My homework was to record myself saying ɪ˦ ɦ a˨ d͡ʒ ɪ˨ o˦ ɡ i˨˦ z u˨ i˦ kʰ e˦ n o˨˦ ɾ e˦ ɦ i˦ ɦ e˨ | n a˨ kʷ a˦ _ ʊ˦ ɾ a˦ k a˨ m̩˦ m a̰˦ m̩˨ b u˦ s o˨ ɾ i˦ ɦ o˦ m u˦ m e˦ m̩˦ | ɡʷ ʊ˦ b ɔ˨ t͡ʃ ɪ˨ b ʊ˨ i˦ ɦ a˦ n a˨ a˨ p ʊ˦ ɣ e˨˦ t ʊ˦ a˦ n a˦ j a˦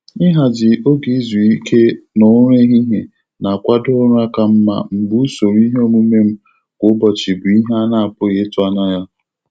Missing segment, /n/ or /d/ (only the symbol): d